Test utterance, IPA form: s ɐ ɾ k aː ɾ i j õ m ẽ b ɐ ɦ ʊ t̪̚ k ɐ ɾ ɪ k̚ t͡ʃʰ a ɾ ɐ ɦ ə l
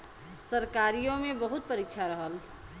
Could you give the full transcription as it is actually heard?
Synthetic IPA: s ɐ ɾ k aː ɾ i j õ m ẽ b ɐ ɦ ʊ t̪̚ p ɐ ɾ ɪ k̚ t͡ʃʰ a ɾ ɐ ɦ ə l